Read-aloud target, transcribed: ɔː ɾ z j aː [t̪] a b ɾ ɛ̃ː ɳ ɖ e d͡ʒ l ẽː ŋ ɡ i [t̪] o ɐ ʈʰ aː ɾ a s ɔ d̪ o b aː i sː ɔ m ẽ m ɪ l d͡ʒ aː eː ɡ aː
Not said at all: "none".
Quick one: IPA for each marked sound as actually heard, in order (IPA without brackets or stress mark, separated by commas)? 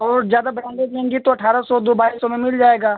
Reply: d̪, t̪